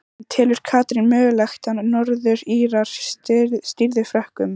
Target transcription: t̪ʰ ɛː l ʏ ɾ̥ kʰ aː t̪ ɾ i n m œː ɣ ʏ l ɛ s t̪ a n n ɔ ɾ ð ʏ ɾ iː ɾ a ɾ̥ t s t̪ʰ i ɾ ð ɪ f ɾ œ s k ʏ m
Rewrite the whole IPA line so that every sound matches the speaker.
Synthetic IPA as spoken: t̪ʰ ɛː l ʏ ɾ̥ kʰ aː t̪ ɾ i n m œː ɣ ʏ l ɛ x t̪ a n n ɔ ɾ ð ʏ ɾ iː ɾ a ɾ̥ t s t̪ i ɾ ð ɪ f ɾ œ h k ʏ m